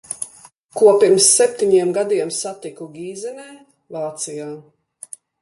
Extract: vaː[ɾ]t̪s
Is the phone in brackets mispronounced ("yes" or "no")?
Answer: yes